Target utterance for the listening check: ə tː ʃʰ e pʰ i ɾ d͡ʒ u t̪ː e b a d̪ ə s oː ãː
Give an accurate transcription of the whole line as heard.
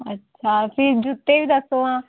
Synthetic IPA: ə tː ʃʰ a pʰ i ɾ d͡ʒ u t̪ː e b i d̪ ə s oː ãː